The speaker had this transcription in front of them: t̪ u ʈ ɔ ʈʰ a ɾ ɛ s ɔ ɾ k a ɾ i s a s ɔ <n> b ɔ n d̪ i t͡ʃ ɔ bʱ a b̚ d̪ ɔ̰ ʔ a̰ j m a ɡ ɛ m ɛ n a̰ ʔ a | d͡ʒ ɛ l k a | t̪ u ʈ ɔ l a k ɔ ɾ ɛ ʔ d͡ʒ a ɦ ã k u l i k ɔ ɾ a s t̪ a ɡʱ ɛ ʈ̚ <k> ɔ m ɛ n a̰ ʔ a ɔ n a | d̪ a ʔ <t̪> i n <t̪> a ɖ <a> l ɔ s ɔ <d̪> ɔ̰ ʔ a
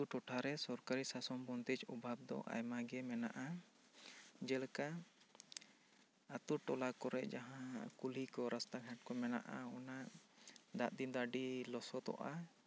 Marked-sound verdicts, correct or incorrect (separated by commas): incorrect, correct, incorrect, incorrect, incorrect, incorrect